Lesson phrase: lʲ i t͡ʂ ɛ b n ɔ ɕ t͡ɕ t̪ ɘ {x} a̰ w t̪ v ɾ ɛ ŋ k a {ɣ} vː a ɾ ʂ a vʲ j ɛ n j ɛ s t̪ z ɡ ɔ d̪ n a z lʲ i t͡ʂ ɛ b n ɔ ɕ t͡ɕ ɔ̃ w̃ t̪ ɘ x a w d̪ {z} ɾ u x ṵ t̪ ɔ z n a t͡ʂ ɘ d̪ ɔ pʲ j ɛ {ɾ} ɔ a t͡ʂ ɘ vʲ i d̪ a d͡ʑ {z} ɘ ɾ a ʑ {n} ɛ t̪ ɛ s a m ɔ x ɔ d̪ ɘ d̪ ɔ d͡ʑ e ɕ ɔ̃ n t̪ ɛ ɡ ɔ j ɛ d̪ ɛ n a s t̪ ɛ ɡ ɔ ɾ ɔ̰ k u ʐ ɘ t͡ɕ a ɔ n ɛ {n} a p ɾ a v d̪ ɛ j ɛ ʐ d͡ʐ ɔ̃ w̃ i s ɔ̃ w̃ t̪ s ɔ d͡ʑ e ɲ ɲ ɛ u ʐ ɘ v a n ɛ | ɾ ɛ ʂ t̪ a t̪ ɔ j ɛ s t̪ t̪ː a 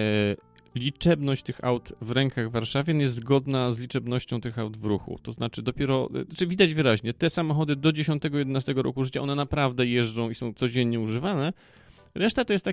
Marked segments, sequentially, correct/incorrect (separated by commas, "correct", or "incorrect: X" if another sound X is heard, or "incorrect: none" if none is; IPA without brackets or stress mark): correct, correct, incorrect: v, correct, incorrect: v, incorrect: ɲ, correct